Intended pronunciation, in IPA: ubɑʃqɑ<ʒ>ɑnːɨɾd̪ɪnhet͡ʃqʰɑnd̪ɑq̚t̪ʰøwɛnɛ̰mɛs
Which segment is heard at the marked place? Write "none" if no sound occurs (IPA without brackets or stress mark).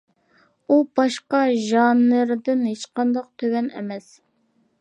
ʒ